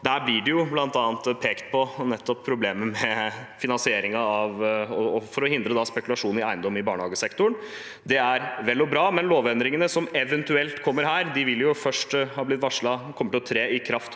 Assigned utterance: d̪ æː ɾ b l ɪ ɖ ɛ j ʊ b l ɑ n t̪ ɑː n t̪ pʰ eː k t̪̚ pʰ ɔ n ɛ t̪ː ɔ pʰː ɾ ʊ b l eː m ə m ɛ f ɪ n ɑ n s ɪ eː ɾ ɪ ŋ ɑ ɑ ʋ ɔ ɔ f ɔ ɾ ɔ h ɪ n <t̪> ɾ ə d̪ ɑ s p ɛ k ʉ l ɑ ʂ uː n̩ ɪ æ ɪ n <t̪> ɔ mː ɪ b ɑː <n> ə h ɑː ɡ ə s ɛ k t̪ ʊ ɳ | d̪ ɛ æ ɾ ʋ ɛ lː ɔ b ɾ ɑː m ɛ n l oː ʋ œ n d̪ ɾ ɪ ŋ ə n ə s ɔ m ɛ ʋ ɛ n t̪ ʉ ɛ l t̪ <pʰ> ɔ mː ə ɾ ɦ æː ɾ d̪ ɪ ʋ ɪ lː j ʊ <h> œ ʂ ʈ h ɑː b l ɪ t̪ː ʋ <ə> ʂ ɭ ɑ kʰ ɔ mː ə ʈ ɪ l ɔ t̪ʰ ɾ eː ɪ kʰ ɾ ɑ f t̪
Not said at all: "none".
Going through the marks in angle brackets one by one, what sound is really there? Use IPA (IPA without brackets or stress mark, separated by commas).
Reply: d̪, d̪, ɳ, kʰ, f, ɑ